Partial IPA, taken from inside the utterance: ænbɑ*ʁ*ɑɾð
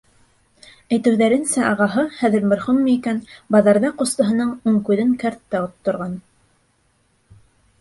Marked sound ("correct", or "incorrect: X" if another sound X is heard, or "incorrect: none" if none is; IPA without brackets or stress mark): incorrect: ð